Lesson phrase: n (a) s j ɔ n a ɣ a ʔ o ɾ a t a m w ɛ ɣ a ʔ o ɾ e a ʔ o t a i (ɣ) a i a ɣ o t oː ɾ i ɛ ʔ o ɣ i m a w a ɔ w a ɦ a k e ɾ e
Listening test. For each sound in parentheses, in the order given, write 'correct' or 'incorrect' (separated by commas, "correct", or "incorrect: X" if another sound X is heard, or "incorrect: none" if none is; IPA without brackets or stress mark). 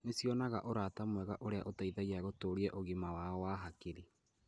incorrect: e, incorrect: ð